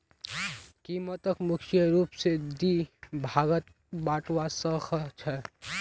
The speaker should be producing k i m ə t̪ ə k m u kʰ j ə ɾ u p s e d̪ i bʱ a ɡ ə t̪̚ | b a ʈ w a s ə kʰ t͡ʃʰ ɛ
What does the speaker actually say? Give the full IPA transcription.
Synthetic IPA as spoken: k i m ə t̪ ə k m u kʰ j ə ɾ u p s e d̪ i bʱ a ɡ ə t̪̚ | b a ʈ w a s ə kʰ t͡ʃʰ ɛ